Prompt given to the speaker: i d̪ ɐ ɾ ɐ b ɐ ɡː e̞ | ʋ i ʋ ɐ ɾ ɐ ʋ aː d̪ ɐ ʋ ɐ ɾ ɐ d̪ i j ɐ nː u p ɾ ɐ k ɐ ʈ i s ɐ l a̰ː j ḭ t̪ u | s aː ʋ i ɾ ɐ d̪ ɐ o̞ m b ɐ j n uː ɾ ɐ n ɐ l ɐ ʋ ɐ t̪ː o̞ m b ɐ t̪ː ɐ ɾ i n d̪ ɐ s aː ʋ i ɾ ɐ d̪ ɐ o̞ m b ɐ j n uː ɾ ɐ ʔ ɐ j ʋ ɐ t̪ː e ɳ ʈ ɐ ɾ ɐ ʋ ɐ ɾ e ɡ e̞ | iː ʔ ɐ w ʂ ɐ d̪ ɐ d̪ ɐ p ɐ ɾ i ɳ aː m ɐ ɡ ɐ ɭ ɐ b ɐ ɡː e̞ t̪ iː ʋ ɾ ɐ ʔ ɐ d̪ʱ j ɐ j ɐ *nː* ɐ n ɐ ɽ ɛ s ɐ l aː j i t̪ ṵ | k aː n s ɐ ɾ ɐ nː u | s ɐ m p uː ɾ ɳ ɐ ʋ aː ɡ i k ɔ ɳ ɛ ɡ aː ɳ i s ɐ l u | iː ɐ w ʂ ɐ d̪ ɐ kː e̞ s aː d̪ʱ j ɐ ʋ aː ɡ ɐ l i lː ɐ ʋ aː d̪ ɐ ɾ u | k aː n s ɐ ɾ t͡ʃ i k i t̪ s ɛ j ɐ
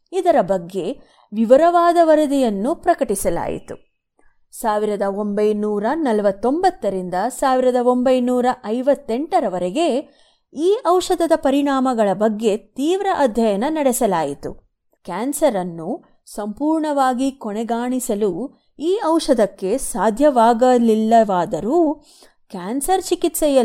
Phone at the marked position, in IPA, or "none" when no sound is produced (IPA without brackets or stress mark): n